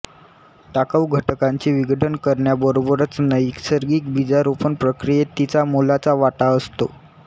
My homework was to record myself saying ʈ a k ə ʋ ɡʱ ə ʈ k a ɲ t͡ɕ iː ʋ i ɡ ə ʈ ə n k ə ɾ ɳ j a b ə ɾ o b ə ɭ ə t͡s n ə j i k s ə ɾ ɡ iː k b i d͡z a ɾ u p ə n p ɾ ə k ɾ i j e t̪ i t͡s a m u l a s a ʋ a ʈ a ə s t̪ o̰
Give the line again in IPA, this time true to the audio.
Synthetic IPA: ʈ a k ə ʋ ɡʱ ə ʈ k a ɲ t͡ɕ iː ʋ i ɡ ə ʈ ə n k ə ɾ ɳ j a b ə ɾ o b ə ɾ ə t͡s n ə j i k s ə ɾ ɡ iː k b i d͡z a ɾ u p ə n p ɾ ə k ɾ i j e t̪ i t͡s a m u l a t͡s a ʋ a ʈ a ə s t̪ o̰